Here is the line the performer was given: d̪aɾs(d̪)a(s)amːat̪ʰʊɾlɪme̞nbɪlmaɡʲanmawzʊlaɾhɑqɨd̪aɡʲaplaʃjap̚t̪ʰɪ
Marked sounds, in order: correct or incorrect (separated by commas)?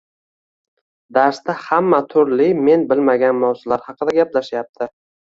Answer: incorrect, incorrect